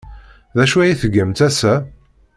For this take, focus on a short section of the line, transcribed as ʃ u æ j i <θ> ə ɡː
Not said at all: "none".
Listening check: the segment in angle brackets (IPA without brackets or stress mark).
θ